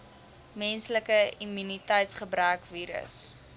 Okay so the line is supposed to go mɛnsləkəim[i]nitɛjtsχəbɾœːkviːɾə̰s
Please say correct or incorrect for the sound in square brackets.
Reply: incorrect